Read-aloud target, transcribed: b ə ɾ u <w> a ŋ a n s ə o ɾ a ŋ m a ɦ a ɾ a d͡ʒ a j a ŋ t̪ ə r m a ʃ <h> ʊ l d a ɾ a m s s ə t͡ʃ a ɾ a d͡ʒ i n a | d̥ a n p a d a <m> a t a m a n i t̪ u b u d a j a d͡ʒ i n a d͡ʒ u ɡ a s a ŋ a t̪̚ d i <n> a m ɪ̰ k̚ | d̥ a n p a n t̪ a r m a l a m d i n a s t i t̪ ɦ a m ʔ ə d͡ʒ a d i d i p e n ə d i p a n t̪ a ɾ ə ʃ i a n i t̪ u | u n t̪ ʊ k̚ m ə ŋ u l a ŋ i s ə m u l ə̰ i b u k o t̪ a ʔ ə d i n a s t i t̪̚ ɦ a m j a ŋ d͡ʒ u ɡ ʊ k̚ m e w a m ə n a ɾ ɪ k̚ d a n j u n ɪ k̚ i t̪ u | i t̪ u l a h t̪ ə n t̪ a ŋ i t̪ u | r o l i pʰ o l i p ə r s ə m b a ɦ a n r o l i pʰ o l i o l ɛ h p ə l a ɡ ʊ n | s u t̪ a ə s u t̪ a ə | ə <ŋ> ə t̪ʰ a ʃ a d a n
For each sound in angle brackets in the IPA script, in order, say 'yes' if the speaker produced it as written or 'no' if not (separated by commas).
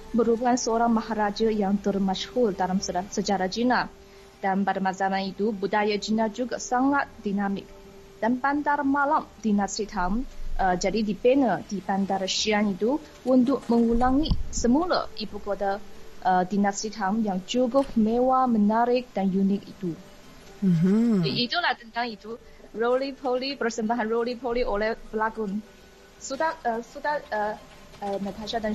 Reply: no, yes, yes, yes, no